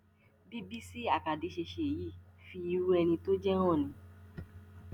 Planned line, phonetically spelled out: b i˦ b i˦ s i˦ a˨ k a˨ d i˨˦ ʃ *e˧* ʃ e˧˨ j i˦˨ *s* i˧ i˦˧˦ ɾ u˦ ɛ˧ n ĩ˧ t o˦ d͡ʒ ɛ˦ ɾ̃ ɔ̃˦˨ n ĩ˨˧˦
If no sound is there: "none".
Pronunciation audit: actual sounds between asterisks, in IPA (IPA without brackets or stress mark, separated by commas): e˧, f